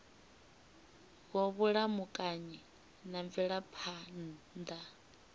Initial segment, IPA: ɣ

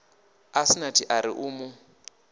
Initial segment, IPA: a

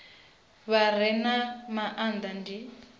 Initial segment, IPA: β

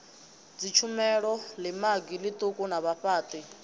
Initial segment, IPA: d͡z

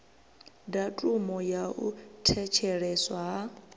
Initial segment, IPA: d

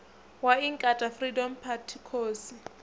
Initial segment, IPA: w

